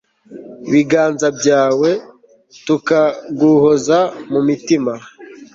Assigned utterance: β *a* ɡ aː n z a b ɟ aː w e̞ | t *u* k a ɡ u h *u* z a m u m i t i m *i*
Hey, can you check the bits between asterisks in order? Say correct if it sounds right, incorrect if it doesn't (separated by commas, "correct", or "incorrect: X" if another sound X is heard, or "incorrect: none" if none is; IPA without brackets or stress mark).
incorrect: i, correct, incorrect: o, incorrect: a